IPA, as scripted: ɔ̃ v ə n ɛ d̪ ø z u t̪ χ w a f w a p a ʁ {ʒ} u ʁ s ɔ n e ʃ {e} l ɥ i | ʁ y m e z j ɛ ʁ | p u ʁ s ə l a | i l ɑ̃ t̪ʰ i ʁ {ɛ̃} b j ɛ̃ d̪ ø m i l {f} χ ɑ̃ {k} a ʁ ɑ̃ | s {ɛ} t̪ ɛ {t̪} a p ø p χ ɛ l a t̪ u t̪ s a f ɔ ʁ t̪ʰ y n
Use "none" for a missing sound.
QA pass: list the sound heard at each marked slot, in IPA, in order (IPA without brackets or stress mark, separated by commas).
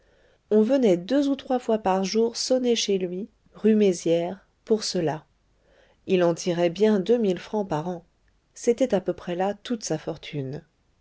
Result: ʒ, e, ɛ, f, p, e, t̪